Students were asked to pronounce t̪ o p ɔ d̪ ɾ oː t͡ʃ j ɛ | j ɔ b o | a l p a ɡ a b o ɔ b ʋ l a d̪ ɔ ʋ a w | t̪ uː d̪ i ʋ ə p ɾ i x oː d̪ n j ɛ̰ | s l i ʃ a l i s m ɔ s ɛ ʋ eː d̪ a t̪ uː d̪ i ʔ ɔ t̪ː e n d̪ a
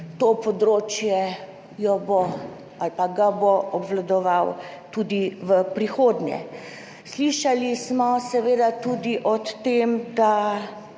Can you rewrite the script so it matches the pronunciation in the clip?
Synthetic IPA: t̪ o p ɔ d̪ ɾ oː t͡ʃ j ɛ | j ɔ b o | a l p a ɡ a b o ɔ b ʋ l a d̪ ɔ ʋ a w | t̪ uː d̪ i ʋ ə p ɾ i x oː d̪ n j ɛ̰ | s l i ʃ a l i s m ɔ s ɛ ʋ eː d̪ a t̪ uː d̪ i ʔ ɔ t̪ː e m d̪ a